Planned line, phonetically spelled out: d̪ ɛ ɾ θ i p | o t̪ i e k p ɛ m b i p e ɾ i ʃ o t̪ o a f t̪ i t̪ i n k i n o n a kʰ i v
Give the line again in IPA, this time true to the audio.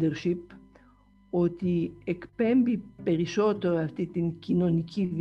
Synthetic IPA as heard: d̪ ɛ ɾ ʃ i p | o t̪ i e k p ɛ m b i p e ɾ i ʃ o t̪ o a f t̪ i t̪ i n k i n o n i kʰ i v